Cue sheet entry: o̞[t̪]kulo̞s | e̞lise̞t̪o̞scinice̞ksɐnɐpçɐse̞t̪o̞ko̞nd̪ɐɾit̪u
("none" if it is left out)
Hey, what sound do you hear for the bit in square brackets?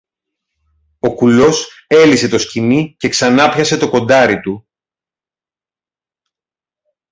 none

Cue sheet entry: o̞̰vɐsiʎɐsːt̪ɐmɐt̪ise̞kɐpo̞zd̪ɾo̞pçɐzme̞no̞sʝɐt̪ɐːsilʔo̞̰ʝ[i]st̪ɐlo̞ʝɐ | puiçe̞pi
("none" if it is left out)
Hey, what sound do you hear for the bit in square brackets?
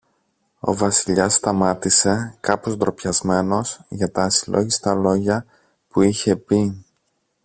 i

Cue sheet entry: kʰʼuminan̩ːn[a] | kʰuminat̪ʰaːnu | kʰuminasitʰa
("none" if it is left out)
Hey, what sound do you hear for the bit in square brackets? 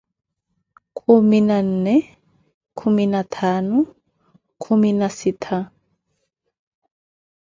ɛ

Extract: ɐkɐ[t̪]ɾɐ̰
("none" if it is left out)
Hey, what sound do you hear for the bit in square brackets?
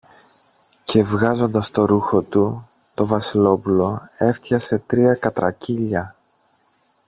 t̪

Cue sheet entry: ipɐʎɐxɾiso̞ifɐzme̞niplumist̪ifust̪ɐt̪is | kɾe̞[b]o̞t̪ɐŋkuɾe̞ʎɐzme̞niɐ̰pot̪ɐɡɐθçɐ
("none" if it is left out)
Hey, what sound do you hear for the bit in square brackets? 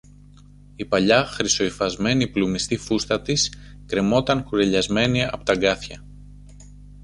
m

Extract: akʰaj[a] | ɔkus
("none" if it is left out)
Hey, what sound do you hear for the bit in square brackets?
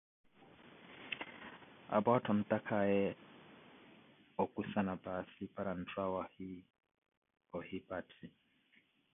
ɛ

